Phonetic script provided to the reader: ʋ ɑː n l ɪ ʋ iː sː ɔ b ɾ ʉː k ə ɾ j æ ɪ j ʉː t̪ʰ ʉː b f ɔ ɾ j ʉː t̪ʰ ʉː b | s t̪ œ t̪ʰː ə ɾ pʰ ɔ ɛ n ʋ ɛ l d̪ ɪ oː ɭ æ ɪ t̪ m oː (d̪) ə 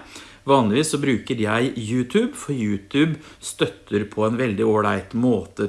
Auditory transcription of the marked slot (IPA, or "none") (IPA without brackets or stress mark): t̪